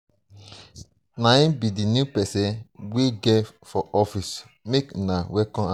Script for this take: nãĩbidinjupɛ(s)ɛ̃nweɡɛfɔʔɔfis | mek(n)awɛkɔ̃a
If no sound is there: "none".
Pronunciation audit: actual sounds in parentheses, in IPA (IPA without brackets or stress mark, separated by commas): s, n